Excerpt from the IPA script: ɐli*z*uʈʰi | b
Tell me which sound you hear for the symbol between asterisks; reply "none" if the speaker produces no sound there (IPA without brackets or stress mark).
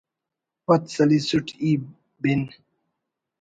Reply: s